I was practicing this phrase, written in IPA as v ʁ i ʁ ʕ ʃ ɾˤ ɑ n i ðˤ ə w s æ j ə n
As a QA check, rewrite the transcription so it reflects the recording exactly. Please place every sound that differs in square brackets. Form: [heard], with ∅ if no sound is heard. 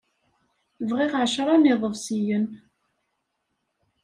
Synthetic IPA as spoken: v ʁ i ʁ ʕ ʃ ɾˤ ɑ n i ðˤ ə [v] s [i] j ə n